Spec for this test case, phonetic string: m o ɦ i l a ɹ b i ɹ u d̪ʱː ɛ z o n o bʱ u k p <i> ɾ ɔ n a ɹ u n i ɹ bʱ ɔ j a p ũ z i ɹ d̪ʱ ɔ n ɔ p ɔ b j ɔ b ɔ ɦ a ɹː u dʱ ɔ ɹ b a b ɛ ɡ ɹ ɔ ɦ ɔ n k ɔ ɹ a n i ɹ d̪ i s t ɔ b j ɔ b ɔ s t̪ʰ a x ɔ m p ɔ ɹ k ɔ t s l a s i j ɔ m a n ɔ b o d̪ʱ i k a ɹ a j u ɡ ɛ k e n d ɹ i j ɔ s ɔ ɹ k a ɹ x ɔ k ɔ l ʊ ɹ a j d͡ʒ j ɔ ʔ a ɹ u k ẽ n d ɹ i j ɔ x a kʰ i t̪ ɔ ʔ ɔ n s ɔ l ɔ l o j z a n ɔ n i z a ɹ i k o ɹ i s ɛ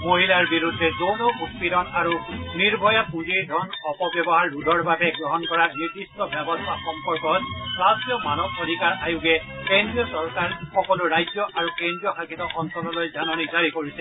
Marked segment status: correct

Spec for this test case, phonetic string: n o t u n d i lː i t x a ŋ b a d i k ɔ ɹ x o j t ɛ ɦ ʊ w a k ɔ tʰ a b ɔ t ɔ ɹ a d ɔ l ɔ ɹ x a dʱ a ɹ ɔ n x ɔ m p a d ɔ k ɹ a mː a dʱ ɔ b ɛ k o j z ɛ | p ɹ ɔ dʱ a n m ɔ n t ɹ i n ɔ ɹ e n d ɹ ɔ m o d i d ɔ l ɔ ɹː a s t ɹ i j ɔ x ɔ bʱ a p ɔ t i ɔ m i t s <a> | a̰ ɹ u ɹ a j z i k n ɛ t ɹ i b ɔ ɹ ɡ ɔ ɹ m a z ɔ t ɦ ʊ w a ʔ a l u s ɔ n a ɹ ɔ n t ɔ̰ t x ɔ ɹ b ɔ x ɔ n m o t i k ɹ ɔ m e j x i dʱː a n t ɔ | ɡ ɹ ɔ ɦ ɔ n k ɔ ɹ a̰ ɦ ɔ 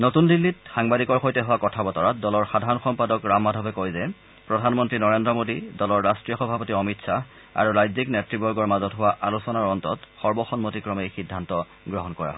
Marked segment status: correct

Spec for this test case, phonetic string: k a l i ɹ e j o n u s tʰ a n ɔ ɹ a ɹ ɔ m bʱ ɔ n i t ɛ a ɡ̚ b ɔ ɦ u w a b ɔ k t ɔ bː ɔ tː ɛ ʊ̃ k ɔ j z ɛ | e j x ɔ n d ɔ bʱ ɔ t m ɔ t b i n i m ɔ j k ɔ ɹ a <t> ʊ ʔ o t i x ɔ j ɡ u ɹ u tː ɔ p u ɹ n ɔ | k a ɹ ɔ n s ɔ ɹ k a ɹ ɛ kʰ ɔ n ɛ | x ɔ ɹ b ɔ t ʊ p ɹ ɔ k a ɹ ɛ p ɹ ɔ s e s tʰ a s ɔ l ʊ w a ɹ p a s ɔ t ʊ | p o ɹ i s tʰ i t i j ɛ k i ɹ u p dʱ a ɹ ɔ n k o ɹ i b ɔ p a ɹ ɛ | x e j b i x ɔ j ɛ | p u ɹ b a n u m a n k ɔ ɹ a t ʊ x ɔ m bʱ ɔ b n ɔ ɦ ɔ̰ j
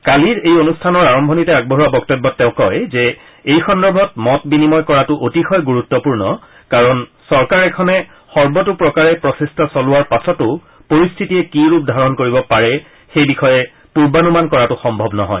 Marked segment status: correct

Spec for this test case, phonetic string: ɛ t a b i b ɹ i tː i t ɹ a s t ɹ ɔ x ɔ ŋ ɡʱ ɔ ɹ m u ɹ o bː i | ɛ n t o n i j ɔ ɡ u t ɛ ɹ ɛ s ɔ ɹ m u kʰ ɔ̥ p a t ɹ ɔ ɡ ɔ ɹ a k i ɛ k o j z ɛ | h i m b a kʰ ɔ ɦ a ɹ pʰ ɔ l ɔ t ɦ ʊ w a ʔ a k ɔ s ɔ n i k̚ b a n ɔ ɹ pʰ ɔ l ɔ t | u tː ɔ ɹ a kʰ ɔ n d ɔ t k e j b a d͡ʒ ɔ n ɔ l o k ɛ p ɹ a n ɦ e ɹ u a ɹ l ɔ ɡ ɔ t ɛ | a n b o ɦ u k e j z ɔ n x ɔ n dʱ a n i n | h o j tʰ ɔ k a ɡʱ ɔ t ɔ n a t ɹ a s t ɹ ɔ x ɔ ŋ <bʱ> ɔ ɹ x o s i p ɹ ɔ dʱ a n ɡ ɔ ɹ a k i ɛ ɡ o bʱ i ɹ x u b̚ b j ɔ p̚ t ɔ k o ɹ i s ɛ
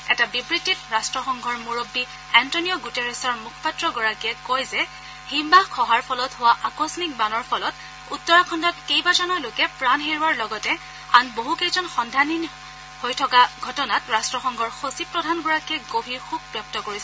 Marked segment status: incorrect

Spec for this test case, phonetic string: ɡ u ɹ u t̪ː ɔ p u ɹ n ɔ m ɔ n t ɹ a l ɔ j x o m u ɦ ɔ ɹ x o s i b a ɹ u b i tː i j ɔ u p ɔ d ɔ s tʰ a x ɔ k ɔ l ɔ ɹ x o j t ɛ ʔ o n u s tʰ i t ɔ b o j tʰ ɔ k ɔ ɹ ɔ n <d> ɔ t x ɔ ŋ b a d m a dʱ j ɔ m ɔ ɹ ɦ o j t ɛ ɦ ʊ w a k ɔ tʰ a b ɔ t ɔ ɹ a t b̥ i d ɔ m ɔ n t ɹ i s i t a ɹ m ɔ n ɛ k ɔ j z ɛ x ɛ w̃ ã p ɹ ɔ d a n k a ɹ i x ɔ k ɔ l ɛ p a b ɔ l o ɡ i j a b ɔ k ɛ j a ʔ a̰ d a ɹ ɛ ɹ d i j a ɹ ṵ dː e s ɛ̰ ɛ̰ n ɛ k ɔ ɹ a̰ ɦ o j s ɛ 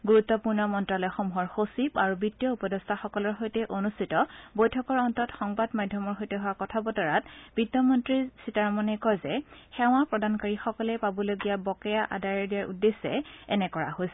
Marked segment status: incorrect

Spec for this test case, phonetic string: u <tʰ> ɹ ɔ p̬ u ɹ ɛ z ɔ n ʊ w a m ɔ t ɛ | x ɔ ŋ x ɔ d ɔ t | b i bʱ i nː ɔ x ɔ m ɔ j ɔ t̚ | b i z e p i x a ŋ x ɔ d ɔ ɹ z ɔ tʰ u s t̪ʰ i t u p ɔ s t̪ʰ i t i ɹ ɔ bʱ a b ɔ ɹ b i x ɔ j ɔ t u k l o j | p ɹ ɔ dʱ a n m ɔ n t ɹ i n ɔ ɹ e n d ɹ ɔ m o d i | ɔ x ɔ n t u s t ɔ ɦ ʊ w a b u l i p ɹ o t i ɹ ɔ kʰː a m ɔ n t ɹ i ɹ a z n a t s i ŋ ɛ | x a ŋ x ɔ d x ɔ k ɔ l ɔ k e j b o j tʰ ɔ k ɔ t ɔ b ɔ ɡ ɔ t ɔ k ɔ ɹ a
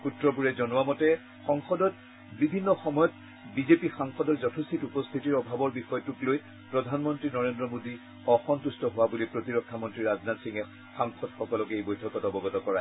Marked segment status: incorrect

